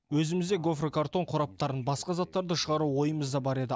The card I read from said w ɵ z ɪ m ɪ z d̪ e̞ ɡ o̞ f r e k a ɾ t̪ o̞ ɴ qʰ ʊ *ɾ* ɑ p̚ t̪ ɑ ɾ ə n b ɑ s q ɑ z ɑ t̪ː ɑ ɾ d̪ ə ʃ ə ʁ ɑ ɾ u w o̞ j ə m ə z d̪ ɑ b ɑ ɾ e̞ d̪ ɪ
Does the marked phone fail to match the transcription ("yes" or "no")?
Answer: no